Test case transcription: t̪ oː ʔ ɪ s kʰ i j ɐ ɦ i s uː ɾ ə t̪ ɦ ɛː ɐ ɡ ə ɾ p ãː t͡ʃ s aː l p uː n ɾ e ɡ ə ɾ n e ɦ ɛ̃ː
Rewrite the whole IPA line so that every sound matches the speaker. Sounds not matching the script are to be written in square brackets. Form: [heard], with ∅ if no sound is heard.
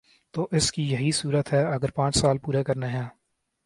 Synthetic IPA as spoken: t̪ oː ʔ ɪ s [k] i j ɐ ɦ i s uː ɾ ə t̪ ɦ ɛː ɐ ɡ ə ɾ p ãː t͡ʃ s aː l p uː [∅] ɾ e [k] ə ɾ n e ɦ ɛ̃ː